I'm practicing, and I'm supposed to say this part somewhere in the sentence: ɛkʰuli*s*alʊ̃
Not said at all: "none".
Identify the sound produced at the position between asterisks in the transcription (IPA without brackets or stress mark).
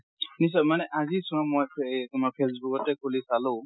s